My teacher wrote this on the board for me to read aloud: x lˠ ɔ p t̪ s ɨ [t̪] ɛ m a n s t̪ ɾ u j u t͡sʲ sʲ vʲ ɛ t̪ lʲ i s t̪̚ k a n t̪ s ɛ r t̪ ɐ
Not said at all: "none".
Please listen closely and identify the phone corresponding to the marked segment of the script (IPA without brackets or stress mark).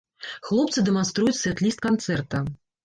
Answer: d̪